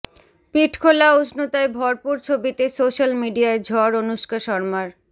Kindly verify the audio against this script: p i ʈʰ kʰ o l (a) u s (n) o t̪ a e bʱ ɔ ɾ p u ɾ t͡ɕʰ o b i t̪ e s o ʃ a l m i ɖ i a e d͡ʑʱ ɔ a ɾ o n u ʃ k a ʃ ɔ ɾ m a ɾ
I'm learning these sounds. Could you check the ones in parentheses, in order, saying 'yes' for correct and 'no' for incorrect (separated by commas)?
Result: yes, yes